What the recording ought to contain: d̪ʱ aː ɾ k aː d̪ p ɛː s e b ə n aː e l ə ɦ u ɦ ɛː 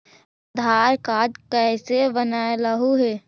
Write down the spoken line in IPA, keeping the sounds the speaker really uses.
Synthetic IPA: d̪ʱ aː ɾ k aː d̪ k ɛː s e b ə n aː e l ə ɦ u ɦ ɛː